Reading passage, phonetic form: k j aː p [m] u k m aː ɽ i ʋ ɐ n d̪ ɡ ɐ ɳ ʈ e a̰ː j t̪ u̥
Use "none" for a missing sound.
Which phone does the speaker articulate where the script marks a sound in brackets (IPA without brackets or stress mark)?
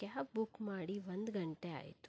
b